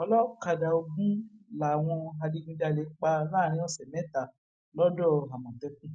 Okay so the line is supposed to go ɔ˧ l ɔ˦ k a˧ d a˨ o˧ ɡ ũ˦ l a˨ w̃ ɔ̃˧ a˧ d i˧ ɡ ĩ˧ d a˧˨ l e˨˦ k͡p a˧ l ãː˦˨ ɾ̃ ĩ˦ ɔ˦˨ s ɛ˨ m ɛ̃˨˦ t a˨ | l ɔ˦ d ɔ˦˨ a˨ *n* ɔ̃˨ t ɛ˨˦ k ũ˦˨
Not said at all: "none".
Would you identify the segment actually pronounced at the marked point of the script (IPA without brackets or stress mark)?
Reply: m